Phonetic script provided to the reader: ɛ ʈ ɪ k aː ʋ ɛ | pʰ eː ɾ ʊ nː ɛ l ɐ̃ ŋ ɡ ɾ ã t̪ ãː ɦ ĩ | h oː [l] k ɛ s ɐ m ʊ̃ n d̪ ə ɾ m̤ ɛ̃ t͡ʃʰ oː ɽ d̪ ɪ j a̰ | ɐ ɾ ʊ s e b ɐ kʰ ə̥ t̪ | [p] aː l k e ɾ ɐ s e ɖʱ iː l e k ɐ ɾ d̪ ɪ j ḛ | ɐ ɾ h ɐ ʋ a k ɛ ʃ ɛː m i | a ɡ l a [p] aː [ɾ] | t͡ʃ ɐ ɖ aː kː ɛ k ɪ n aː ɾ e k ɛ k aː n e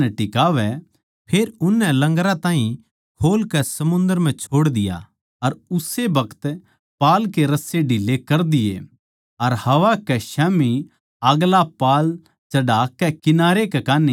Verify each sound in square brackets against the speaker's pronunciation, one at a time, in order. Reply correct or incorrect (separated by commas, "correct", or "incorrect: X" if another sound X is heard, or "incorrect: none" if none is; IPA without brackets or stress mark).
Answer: correct, correct, correct, incorrect: l